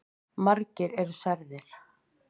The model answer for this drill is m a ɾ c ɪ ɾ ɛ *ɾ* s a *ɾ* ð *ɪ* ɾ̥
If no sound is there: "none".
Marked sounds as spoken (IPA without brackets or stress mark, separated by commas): ɾ, ɾ, ɪ